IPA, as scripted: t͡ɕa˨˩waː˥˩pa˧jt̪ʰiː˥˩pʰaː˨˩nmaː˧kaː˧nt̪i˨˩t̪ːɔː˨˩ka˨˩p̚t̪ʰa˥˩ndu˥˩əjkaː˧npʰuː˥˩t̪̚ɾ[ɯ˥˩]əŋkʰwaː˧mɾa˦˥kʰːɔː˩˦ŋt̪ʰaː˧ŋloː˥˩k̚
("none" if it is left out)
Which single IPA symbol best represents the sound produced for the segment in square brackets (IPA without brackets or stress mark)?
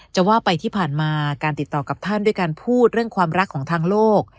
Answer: ɯ˥˩